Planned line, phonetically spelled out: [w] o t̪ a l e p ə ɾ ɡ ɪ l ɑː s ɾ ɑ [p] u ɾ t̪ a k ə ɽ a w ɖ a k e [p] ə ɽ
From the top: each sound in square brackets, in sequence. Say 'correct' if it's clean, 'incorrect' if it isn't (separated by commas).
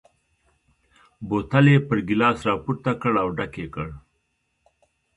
incorrect, correct, incorrect